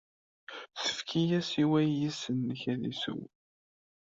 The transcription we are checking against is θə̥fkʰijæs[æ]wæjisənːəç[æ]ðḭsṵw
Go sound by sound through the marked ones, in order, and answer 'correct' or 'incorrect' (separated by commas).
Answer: incorrect, correct